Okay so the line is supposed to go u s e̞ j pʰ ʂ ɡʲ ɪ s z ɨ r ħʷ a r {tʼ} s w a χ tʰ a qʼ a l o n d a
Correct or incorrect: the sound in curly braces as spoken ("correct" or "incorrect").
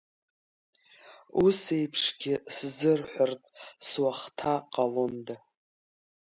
correct